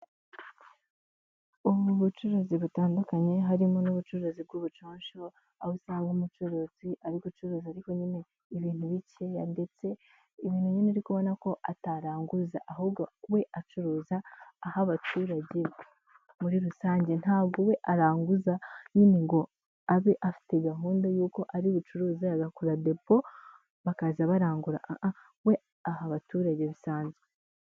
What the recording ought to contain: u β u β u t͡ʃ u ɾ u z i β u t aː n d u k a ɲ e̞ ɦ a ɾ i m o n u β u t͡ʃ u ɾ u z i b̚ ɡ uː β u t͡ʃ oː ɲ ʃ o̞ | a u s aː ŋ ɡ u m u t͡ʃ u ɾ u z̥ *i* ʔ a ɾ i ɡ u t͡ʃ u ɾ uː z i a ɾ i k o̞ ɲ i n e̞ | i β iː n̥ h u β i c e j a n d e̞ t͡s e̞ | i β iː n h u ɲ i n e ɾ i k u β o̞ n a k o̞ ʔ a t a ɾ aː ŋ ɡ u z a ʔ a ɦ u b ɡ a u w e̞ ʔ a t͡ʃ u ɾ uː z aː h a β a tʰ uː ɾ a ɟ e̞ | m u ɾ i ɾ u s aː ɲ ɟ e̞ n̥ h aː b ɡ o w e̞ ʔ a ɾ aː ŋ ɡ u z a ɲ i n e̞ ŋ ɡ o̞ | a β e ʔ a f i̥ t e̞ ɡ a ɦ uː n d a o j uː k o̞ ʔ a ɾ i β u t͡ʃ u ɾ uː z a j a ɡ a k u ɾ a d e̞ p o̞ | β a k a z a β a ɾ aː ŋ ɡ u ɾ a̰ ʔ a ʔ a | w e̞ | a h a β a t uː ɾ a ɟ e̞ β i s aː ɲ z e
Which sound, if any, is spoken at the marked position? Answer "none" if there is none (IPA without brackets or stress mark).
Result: i